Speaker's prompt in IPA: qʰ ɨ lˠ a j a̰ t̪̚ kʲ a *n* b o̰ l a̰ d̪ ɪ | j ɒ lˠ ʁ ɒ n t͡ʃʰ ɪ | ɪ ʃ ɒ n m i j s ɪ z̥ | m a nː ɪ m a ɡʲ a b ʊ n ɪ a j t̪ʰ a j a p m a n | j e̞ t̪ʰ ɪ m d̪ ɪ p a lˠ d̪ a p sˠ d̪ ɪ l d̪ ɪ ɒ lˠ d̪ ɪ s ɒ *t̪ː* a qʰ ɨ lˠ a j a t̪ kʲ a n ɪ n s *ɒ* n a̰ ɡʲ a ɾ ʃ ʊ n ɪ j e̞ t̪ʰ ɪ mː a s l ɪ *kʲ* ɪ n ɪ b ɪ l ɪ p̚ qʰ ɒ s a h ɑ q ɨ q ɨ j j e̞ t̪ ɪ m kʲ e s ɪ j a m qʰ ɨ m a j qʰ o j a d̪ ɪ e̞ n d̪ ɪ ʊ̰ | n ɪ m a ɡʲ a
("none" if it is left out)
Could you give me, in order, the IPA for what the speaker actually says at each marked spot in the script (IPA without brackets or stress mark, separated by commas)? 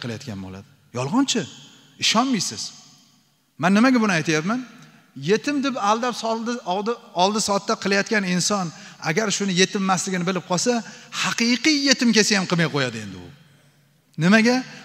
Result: n, t̪ː, ɒ, ɡʲ